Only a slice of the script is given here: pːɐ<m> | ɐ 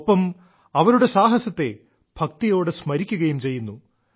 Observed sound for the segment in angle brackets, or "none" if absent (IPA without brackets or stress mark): m